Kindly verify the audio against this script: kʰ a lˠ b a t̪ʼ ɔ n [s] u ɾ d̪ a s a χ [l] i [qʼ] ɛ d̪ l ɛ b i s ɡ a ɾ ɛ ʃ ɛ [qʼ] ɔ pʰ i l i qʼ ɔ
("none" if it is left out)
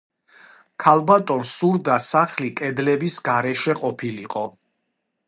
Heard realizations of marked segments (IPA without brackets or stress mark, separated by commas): s, l, kʼ, qʼ